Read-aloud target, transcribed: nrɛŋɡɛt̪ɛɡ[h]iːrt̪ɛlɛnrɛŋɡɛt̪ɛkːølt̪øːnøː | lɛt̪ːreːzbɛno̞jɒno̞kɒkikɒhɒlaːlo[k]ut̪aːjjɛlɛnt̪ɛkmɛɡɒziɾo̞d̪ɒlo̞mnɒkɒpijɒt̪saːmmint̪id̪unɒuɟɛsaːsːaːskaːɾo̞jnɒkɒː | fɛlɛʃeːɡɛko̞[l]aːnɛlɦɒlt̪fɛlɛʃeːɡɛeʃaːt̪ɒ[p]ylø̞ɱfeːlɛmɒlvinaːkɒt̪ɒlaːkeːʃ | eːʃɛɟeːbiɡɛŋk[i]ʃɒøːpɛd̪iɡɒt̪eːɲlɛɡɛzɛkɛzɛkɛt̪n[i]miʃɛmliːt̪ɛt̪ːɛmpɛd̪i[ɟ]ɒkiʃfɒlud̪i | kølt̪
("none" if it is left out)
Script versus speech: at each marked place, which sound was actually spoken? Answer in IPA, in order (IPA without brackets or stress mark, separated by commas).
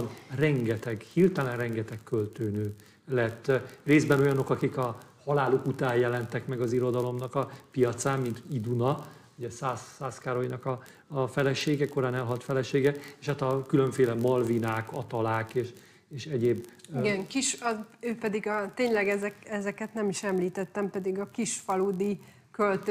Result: h, k, ɾ, k, i, ɛ, ɡ